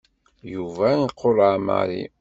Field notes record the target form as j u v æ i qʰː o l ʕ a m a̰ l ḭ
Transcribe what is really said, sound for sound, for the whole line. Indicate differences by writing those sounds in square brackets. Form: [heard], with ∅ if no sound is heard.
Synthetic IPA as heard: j u v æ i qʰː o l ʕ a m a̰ [ɾ] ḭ